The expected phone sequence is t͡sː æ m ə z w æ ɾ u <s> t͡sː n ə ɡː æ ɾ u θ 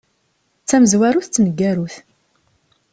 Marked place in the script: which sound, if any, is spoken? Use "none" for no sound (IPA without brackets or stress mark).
θ